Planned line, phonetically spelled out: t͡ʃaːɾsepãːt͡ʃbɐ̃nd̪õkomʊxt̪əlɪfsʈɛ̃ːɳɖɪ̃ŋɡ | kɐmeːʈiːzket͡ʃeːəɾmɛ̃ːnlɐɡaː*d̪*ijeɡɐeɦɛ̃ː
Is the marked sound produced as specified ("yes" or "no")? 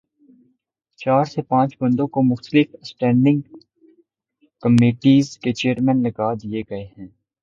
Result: yes